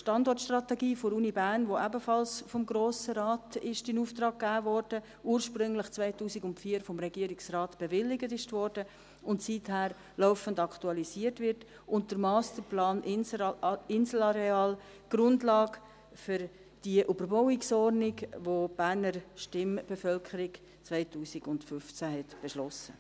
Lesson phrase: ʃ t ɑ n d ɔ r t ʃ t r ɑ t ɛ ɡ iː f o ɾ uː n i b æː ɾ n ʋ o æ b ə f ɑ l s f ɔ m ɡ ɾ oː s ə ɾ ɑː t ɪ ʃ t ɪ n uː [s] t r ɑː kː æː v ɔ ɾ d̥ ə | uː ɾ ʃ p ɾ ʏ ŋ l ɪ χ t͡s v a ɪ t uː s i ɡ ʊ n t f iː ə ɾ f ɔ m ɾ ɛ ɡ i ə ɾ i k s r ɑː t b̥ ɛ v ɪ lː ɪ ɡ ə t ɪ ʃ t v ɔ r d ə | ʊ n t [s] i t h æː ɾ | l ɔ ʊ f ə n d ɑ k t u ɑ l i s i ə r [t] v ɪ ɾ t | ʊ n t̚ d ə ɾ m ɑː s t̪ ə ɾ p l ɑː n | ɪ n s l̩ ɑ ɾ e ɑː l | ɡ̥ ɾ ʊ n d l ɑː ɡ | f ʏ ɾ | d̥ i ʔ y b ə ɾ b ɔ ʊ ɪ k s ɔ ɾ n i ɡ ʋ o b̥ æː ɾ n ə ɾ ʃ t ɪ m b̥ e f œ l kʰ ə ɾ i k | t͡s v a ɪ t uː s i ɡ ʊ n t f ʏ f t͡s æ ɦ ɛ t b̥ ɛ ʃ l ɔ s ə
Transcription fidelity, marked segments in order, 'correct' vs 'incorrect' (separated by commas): incorrect, correct, correct